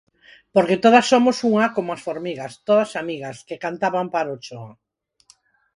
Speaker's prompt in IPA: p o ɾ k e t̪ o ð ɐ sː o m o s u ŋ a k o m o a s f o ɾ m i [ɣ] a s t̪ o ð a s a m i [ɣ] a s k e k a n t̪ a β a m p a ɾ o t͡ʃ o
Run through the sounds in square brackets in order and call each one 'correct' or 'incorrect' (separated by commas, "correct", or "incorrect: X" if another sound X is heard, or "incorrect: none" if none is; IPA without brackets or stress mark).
correct, correct